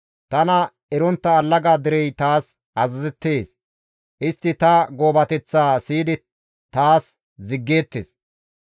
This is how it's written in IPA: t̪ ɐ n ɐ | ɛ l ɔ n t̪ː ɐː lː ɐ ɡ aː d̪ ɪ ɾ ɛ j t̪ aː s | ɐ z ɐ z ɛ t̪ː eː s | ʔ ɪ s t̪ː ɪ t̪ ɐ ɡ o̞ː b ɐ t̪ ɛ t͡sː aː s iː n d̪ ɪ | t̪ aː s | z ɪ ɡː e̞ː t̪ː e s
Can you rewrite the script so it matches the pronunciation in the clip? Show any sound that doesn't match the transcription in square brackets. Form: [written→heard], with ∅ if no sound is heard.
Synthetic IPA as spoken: t̪ ɐ n ɐ | ɛ [l→ɾ] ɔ n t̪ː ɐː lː ɐ ɡ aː d̪ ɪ ɾ ɛ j t̪ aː s | ɐ z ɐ z ɛ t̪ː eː s | ʔ ɪ s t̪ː ɪ t̪ ɐ ɡ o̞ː b ɐ t̪ ɛ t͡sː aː s iː [n→∅] d̪ ɪ | t̪ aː s | z ɪ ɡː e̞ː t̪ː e s